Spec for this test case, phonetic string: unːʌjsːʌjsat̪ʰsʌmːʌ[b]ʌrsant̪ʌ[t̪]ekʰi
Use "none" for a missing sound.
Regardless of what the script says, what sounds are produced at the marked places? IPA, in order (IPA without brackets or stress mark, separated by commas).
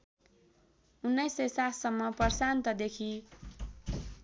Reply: p, d̪